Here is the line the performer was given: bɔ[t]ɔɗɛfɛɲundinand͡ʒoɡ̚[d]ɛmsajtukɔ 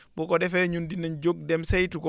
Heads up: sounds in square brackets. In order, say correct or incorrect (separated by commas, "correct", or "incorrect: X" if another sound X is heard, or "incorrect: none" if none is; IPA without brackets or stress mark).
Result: incorrect: k, correct